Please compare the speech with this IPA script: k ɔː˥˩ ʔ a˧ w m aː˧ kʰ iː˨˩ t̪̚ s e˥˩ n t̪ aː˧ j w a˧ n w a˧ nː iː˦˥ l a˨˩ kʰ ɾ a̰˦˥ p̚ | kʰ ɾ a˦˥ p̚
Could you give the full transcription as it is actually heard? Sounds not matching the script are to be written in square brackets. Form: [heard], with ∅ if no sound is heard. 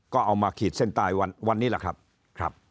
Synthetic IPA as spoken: k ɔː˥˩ ʔ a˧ w m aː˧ kʰ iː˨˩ t̪̚ s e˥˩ n t̪ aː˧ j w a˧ n w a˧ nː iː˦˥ l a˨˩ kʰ ɾ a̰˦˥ p̚ | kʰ ɾ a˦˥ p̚